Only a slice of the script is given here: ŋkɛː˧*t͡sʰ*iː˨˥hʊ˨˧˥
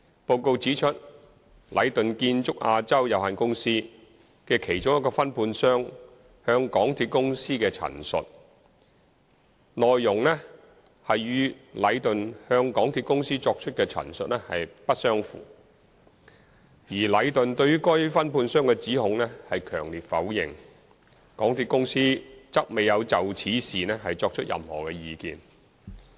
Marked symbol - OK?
no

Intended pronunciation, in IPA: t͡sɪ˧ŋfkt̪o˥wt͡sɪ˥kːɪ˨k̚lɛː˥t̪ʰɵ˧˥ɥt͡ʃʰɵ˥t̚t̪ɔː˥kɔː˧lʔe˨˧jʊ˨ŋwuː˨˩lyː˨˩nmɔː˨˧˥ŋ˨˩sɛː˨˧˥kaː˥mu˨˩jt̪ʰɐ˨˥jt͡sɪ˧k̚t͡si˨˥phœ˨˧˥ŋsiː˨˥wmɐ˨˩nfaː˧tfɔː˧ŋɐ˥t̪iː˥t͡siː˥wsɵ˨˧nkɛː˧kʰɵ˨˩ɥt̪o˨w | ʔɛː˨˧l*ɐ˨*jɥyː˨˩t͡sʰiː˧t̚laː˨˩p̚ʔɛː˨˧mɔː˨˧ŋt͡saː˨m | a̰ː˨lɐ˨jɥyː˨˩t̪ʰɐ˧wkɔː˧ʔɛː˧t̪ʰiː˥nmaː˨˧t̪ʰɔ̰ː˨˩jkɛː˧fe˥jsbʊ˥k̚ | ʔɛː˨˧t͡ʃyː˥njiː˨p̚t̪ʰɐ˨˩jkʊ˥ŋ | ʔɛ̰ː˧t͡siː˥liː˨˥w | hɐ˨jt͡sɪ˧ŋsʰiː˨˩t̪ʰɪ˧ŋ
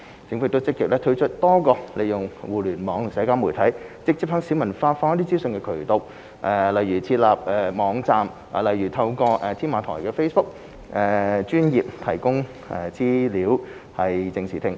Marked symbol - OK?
yes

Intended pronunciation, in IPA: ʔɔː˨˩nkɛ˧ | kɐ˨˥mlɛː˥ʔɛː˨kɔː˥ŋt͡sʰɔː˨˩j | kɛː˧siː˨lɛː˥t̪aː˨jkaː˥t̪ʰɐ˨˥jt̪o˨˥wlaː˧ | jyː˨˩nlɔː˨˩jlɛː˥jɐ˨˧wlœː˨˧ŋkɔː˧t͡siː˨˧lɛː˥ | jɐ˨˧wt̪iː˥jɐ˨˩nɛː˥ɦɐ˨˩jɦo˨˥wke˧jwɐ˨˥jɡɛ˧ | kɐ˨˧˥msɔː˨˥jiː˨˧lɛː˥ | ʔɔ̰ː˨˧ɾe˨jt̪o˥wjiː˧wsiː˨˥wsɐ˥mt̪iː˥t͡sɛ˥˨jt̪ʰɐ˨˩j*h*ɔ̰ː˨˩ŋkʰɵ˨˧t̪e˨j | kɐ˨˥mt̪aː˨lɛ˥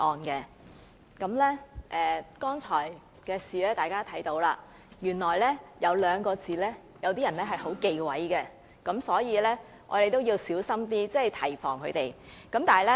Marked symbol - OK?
no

